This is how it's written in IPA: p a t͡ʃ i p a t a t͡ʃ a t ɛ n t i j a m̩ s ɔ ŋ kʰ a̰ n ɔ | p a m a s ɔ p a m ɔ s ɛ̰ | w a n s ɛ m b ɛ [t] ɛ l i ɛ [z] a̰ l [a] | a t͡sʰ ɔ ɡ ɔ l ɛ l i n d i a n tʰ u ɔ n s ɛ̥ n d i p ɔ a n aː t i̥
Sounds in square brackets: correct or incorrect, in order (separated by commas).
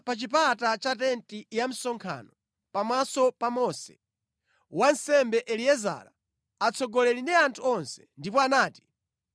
incorrect, correct, correct